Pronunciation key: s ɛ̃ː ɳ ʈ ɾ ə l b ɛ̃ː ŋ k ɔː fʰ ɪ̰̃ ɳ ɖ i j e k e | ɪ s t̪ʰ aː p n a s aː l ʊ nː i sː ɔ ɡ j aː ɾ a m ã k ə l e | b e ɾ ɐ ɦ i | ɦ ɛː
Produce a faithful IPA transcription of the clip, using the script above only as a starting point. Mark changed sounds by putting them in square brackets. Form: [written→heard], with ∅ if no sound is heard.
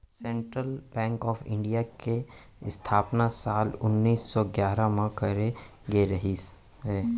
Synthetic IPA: s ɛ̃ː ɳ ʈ ɾ ə l b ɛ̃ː ŋ k ɔː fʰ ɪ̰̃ ɳ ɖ i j [e→a] k e | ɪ s t̪ʰ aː p n a s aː l ʊ nː [i→iː] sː ɔ ɡ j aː ɾ a m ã k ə [l→ɾ] e | [b→ɡ] e ɾ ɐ ɦ i | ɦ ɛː